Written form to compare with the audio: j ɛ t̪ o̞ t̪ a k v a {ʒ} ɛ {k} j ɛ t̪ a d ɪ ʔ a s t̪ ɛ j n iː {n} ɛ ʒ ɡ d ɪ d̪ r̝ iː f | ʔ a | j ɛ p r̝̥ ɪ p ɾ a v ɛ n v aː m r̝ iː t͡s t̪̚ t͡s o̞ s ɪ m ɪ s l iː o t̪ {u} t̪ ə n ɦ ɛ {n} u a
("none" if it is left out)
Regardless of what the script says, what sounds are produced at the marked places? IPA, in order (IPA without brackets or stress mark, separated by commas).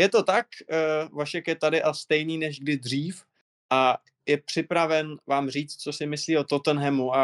ʃ, k, n, o, m